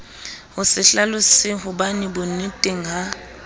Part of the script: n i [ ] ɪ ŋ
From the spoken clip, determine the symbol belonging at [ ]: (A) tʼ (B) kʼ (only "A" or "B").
A